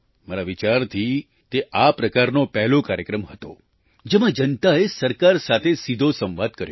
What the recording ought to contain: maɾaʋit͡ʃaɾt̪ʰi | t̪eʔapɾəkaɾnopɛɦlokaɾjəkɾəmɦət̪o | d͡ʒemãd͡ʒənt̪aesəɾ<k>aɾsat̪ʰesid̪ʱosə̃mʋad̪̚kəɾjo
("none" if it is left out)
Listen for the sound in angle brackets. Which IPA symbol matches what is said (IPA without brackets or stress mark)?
k